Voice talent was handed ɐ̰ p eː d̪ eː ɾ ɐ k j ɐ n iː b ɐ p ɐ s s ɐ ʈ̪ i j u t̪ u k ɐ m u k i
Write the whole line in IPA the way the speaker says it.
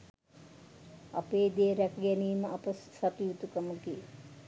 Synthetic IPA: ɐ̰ p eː d̪ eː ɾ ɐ k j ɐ n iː m ɐ p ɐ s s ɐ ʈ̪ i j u t̪ u k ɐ m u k i